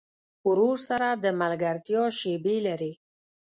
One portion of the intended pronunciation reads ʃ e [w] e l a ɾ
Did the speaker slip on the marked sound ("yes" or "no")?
yes